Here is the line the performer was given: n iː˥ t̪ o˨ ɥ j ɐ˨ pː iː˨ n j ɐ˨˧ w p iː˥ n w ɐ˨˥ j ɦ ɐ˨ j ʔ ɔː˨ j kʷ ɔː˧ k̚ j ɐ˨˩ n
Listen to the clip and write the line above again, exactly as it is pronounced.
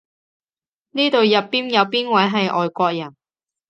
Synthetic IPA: n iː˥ t̪ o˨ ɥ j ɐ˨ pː iː˥ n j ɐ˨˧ w p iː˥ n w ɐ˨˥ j ɦ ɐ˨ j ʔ ɔː˨ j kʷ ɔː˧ k̚ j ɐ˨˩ n

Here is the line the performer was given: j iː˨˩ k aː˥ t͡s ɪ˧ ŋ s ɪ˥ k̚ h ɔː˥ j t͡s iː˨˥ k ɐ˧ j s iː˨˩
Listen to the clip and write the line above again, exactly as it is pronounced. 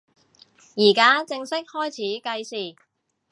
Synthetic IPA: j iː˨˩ k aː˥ t͡s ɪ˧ ŋ s ɪ˥ k̚ h ɔː˥ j t͡sʰ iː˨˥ k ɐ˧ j s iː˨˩

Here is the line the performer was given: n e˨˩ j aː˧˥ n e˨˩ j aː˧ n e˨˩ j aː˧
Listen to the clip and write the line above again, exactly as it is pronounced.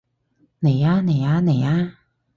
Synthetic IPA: n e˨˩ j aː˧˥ n e˨˩ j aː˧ n e˨˩ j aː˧

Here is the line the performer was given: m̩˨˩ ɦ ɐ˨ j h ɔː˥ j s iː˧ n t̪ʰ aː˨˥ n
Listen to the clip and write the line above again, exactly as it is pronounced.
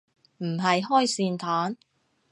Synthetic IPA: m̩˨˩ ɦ ɐ˨ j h ɔː˥ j s iː˧ n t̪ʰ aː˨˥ n

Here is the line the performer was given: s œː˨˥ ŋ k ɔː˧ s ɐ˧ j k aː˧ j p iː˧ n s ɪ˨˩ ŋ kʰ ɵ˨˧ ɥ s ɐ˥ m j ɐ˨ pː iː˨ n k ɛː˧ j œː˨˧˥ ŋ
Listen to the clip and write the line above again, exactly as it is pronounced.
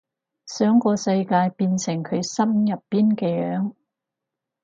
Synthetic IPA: s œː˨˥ ŋ k ɔː˧ s ɐ˧ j k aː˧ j p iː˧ n s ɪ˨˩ ŋ kʰ ɵ˨˧ ɥ s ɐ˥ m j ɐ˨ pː iː˥ n k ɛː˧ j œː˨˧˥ ŋ

